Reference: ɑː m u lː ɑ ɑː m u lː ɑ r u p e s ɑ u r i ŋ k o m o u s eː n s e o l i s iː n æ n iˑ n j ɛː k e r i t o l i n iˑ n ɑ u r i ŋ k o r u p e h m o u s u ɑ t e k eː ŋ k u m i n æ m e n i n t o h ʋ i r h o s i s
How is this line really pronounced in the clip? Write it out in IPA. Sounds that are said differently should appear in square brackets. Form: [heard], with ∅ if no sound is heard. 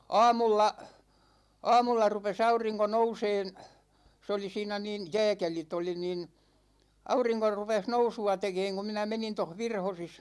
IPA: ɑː m u lː ɑ ɑː m u lː ɑ r u p e s ɑ u r i ŋ k o [n] o u s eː n s e o l i s iː n æ n iˑ n j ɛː k e [l] i t o l i n iˑ n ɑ u r i ŋ k o r u p e h [n] o u s u ɑ t e k eː ŋ k u m i n æ m e n i n t o h ʋ i r h o s i s